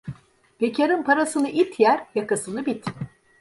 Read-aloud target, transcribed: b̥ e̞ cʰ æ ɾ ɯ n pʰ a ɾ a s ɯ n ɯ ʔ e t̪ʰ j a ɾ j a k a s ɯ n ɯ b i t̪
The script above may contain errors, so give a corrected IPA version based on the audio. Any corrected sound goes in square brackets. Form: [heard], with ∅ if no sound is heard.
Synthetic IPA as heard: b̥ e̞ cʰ [a] ɾ ɯ n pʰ a ɾ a s ɯ n ɯ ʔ [i] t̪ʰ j [æ] ɾ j a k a s ɯ n ɯ b i t̪